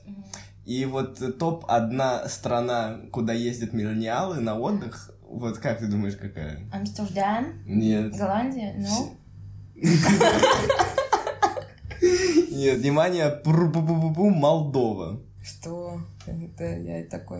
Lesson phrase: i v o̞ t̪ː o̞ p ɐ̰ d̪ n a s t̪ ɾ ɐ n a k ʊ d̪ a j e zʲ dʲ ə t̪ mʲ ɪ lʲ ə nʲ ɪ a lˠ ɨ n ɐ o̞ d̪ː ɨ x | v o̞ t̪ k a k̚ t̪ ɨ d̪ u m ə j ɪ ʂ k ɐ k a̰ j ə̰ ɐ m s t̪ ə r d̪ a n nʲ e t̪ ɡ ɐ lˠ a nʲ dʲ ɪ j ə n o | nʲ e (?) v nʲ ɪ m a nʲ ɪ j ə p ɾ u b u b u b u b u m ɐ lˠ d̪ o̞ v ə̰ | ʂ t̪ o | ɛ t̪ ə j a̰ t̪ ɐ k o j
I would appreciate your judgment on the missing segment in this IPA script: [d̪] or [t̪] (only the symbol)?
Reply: t̪